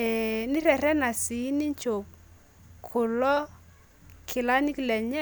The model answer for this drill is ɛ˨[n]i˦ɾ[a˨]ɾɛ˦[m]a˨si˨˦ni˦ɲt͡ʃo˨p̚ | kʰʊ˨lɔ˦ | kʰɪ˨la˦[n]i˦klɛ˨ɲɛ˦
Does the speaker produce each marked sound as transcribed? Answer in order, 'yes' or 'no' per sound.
yes, no, no, yes

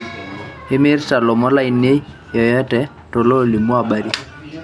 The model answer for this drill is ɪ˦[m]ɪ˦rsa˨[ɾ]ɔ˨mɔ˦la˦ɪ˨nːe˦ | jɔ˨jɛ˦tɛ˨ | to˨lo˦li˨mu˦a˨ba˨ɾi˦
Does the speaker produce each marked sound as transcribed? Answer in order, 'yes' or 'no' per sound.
yes, no

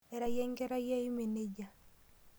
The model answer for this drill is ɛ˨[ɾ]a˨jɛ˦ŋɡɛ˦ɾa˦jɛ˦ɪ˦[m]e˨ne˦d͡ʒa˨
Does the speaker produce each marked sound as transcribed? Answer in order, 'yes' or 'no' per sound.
yes, yes

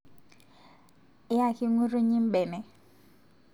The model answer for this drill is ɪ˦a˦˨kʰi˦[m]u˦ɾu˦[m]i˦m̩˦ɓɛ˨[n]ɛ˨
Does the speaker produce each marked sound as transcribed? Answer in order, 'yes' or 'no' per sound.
no, no, yes

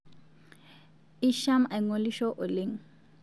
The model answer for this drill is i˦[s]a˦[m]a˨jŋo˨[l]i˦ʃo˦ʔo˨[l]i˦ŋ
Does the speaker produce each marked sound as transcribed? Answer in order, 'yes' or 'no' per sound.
no, yes, yes, yes

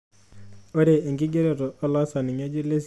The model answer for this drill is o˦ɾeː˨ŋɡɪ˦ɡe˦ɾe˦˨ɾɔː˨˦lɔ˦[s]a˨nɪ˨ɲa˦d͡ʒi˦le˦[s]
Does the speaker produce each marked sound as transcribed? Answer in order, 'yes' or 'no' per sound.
yes, yes

